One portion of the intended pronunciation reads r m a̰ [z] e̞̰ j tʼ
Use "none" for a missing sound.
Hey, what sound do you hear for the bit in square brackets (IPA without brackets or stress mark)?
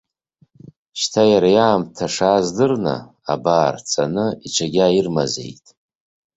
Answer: z